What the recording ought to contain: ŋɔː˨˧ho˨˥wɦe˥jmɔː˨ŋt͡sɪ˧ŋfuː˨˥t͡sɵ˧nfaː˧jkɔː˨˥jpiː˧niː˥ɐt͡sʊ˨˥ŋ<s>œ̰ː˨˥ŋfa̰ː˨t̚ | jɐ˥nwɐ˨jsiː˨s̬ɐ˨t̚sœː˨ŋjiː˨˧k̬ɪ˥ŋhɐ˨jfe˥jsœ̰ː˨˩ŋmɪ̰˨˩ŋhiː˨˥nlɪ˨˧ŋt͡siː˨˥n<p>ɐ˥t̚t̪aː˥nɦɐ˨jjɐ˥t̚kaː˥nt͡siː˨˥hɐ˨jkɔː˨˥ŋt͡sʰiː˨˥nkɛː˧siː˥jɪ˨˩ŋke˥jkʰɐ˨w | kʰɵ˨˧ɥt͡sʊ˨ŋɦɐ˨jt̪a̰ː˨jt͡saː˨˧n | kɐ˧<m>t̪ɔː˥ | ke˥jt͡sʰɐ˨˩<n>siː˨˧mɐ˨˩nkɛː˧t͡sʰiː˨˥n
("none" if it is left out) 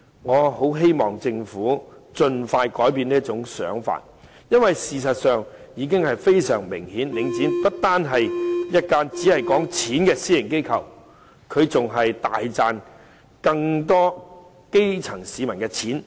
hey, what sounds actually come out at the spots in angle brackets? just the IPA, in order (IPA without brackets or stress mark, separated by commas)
s, p, ŋ, ŋ